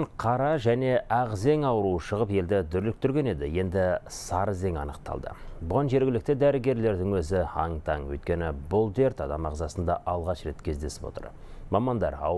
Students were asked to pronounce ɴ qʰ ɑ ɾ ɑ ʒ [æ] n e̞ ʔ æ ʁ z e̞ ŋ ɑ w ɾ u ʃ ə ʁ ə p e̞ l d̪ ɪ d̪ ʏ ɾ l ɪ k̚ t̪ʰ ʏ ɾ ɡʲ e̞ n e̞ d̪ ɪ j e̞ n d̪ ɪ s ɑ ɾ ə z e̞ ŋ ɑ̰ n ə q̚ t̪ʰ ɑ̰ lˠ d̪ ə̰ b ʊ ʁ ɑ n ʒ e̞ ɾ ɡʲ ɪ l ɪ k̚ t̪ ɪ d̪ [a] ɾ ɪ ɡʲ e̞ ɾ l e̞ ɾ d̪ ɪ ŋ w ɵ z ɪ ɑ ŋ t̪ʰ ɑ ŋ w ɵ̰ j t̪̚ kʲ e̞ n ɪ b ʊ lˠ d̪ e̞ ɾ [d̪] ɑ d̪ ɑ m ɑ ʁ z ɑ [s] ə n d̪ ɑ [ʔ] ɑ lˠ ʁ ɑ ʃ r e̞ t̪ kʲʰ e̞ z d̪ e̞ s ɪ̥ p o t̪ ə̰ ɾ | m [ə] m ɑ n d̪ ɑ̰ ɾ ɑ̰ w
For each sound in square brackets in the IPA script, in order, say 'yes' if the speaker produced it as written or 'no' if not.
yes, no, no, yes, yes, no

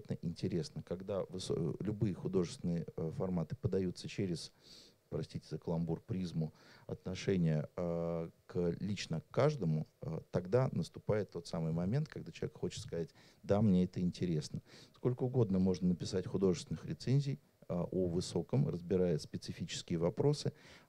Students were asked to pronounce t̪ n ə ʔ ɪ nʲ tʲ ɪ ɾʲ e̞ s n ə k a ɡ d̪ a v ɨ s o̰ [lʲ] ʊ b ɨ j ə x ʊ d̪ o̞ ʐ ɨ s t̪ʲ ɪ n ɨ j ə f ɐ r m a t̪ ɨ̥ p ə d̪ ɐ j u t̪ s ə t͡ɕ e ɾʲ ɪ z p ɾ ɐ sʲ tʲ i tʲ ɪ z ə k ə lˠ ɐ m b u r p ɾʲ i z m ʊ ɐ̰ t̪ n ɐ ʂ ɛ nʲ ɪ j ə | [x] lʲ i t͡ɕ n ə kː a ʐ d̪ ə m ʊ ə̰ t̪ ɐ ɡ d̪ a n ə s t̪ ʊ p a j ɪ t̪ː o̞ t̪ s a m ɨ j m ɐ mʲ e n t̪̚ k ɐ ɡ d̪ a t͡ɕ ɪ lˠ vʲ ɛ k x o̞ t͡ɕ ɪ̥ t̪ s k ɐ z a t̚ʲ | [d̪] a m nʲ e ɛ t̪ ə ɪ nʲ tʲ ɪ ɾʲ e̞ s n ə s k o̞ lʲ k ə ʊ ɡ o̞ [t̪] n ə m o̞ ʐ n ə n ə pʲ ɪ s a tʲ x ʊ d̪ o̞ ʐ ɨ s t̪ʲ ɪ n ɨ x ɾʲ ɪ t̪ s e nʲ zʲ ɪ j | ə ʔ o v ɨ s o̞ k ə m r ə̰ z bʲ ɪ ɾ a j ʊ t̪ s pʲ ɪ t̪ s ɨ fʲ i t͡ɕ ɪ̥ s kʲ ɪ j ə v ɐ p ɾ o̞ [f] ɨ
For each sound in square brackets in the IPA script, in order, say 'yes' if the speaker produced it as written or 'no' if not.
yes, no, yes, no, no

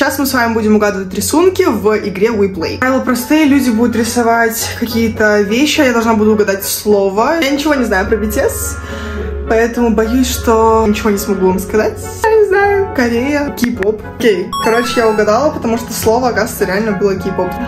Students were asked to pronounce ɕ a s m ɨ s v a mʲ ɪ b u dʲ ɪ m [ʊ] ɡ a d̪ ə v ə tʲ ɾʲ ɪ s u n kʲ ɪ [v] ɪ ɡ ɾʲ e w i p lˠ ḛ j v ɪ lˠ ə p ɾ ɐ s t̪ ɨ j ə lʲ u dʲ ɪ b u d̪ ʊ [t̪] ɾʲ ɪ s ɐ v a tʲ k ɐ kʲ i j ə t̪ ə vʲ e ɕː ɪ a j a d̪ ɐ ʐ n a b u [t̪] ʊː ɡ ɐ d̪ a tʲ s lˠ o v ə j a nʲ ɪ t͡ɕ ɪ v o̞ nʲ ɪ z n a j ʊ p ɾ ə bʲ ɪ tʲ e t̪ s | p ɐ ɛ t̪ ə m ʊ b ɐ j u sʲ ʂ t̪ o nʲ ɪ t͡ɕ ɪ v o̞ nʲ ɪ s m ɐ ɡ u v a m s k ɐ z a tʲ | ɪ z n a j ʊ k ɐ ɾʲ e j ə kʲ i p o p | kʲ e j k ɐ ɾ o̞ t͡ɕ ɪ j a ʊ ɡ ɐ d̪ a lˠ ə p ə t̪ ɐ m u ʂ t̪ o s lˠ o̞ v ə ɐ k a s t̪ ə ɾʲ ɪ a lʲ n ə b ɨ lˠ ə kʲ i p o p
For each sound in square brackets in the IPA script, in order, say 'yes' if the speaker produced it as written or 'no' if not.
yes, yes, yes, no

